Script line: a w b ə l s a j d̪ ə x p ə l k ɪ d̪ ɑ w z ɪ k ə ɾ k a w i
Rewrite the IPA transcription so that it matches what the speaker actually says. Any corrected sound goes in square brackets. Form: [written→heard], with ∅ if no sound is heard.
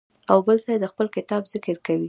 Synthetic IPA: a w b ə l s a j d̪ ə x p ə l k ɪ [d̪→t̪] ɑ [w→b] z ɪ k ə ɾ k a w i